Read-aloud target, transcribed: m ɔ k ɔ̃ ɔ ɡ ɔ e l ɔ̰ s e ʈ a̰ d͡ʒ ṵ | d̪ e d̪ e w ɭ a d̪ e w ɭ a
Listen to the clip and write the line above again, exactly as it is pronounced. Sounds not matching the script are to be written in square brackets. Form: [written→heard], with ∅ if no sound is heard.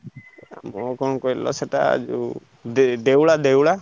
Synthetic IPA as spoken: m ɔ k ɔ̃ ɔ [ɡ→k] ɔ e l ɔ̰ s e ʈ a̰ d͡ʒ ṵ | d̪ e d̪ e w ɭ a d̪ e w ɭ a